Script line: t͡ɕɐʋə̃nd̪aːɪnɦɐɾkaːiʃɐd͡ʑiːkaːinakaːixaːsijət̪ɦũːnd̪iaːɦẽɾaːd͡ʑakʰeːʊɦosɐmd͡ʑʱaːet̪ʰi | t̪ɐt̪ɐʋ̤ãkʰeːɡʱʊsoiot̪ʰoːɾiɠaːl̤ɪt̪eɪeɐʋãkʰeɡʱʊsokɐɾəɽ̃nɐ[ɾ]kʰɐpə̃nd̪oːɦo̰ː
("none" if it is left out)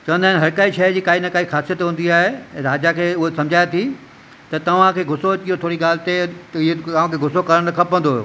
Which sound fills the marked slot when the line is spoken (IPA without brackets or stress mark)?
none